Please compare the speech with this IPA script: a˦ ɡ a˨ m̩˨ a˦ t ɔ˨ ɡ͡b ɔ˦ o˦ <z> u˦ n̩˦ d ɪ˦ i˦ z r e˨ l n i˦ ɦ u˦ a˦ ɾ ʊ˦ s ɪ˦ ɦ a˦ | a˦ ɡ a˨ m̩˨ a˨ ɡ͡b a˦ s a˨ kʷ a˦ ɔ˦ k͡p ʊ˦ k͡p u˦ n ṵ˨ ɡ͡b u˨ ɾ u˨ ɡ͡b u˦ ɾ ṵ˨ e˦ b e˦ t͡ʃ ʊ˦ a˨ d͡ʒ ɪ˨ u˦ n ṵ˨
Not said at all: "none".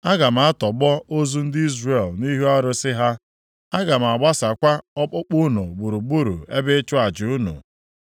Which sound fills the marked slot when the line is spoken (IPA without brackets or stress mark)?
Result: z